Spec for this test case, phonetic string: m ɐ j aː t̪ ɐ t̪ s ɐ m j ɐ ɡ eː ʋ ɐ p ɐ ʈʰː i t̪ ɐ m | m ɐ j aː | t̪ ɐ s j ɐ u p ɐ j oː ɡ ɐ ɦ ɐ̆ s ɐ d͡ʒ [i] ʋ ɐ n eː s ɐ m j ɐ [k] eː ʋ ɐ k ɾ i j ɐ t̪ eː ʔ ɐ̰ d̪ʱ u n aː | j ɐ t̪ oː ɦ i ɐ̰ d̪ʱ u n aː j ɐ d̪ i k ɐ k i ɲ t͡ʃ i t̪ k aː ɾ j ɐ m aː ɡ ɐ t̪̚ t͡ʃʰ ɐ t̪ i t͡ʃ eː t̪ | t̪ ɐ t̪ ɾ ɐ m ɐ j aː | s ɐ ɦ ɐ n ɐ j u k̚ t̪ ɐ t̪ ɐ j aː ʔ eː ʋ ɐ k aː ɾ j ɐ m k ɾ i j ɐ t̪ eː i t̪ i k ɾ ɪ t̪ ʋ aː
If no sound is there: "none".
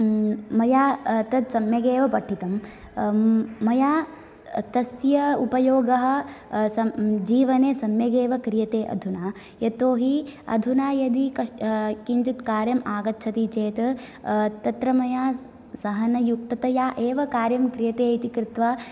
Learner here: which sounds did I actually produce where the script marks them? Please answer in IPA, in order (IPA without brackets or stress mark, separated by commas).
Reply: iː, ɡ